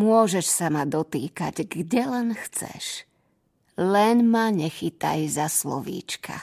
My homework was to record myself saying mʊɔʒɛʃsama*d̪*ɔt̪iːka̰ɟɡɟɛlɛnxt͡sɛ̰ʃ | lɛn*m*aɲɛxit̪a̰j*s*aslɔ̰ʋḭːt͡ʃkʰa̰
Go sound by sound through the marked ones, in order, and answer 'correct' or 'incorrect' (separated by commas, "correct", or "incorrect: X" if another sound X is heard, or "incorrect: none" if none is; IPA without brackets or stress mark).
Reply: correct, correct, incorrect: z